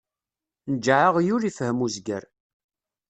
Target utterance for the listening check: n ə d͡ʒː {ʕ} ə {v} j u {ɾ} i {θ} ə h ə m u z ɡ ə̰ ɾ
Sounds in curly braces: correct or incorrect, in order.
correct, incorrect: ʁ, correct, incorrect: f

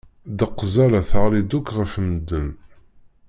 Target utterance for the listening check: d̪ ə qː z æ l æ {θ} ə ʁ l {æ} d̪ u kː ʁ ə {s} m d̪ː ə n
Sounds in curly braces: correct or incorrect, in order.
correct, incorrect: i, incorrect: f

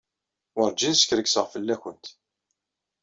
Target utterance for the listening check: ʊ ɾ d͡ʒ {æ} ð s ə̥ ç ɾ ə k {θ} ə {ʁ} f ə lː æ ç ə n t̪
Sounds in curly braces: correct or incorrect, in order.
incorrect: i, incorrect: s, correct

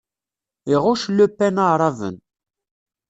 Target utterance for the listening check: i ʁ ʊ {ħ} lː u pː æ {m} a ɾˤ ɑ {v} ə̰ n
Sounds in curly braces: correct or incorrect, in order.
incorrect: ʃ, incorrect: n, correct

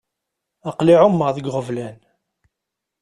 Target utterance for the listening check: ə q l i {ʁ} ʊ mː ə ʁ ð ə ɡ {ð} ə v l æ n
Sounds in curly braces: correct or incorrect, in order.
incorrect: ʕ, incorrect: ʁ

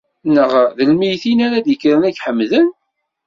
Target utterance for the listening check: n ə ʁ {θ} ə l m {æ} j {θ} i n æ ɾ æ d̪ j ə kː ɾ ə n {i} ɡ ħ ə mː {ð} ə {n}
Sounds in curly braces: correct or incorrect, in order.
incorrect: ð, incorrect: i, correct, incorrect: æ, correct, correct

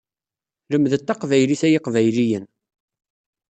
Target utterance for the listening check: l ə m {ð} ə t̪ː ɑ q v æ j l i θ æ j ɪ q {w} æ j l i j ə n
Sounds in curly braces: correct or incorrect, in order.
correct, incorrect: v

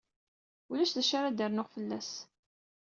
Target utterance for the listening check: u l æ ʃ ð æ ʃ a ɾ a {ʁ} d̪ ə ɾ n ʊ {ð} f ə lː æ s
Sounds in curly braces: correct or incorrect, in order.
incorrect: none, incorrect: ʁ

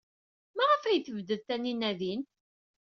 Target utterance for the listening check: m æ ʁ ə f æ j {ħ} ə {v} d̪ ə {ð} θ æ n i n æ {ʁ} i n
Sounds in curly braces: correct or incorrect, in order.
incorrect: θ, correct, correct, incorrect: ð

